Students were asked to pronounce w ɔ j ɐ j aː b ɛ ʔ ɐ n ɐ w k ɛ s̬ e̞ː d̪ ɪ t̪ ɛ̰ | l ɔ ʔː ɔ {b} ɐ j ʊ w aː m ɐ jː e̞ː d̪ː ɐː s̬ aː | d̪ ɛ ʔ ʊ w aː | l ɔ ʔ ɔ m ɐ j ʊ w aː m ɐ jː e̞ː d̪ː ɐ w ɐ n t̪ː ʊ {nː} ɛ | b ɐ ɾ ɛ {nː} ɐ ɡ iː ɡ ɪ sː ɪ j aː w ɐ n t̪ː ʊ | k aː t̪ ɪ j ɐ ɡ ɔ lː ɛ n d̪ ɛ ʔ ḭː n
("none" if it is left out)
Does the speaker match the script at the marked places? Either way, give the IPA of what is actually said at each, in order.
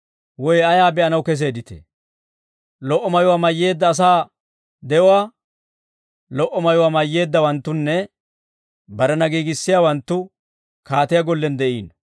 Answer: m, nː, n

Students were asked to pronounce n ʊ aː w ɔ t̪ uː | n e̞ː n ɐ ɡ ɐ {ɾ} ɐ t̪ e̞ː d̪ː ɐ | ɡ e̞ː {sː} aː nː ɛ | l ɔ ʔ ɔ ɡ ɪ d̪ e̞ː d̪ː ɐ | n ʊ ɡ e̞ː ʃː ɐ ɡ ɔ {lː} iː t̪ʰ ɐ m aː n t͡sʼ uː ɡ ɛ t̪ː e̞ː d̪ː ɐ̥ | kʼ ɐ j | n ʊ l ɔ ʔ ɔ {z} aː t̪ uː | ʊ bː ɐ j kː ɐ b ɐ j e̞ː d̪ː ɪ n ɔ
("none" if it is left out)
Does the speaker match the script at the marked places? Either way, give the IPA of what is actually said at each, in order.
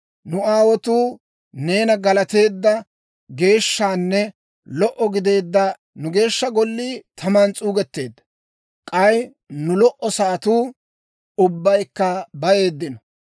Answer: l, ʃː, lː, s

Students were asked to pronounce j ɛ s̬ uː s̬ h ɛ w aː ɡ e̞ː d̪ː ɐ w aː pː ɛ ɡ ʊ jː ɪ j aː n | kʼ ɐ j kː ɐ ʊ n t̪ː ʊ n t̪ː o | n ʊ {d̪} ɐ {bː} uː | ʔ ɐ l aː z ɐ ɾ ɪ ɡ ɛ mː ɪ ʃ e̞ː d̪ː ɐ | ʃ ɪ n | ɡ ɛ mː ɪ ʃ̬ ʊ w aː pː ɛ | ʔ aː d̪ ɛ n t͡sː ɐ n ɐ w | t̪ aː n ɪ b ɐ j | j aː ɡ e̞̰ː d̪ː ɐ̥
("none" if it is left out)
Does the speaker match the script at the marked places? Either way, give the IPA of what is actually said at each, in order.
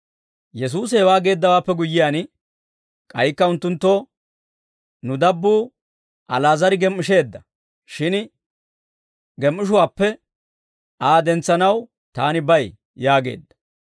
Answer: d̪, bː

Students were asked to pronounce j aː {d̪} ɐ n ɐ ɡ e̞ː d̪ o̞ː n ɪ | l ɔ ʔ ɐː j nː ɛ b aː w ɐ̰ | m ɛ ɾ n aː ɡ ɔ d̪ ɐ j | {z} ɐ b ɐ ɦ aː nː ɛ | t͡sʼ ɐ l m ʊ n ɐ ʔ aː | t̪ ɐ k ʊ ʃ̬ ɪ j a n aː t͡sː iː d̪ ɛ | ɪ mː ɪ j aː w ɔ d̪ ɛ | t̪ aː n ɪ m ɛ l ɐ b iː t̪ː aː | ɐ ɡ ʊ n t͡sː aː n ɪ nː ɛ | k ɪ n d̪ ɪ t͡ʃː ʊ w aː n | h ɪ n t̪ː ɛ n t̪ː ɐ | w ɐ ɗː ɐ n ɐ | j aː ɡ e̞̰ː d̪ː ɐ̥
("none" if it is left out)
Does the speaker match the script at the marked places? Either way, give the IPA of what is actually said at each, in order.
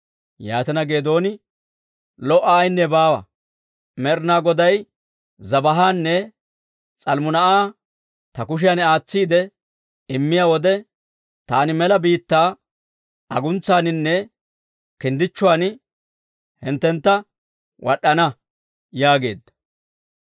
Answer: t̪, z

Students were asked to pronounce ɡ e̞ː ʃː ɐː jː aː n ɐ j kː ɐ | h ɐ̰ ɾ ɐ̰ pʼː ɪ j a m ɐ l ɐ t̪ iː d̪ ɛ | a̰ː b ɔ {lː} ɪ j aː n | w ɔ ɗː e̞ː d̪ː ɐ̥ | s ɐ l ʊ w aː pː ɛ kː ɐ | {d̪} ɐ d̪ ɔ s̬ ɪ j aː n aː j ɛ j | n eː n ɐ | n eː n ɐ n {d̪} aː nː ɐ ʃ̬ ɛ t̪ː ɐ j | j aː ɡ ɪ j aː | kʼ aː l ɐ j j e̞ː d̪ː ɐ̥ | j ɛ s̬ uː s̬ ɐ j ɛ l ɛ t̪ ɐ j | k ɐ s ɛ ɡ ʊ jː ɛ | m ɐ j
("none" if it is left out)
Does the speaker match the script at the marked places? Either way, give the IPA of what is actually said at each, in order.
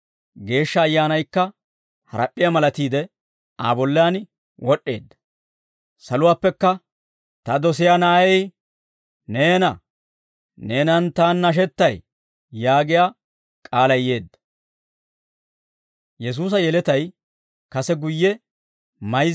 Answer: lː, t̪, t̪

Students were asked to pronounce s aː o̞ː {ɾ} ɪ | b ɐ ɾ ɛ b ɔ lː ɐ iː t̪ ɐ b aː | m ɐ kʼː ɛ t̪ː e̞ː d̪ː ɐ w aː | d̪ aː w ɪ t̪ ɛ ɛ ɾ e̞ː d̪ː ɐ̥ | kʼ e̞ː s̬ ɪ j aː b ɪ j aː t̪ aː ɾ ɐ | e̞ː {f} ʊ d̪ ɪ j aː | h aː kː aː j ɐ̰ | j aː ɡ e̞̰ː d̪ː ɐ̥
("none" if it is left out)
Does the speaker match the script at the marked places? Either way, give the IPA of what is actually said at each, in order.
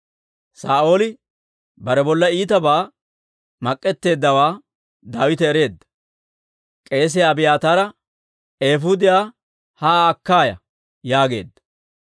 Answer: l, f

